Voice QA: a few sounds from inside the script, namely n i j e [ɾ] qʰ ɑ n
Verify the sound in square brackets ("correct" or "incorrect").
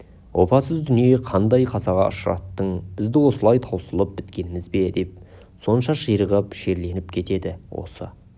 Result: incorrect